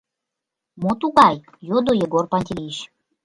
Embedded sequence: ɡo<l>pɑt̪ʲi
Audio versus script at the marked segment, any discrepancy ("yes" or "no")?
yes